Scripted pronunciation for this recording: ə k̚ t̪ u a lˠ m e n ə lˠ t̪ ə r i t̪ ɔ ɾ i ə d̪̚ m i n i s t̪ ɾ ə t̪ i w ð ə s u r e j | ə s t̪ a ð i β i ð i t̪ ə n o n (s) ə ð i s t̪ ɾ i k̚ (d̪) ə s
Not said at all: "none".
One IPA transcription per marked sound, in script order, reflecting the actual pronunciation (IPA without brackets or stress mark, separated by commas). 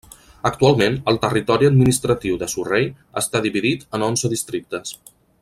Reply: z, t̪